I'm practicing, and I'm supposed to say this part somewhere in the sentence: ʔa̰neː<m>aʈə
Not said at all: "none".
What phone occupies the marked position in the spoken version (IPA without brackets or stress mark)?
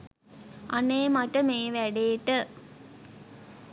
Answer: m